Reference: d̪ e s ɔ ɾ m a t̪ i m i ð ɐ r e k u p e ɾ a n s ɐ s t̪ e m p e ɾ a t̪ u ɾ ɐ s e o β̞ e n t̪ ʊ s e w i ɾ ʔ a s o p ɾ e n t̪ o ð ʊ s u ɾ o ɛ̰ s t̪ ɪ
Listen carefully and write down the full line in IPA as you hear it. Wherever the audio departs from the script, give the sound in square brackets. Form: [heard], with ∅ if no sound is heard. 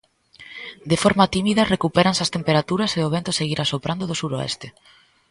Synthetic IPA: d̪ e [f] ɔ ɾ m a t̪ i m i ð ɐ r e k u p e ɾ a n s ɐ s t̪ e m p e ɾ a t̪ u ɾ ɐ s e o β̞ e n t̪ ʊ s e [ɣ] i ɾ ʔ a s o p ɾ [a] n [d̪] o ð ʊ s u ɾ o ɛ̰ s t̪ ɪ